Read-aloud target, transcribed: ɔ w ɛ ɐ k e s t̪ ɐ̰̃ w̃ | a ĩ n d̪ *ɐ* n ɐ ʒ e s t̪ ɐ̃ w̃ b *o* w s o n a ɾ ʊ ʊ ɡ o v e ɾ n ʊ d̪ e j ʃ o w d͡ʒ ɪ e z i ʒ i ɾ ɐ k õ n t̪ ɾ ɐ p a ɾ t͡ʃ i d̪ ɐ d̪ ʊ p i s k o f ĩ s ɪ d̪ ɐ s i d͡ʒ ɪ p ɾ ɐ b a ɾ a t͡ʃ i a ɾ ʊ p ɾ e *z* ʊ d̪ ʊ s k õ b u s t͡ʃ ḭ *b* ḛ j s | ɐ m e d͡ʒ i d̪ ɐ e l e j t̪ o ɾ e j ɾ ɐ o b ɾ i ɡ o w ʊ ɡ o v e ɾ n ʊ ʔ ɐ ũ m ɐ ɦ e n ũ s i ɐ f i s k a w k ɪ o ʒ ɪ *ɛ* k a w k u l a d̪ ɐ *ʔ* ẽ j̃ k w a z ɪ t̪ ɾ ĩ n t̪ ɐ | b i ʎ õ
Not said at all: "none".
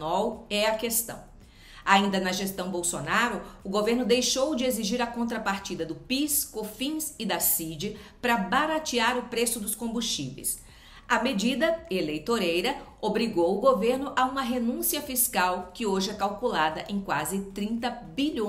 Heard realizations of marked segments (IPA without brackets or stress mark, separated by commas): ɐ, o, s, v, ɛ, ʔ